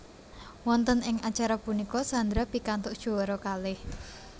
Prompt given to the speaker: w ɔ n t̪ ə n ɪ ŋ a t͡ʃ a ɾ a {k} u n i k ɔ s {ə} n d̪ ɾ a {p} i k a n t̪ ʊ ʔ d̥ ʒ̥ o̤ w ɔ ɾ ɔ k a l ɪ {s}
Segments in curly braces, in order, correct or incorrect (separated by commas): incorrect, incorrect, correct, incorrect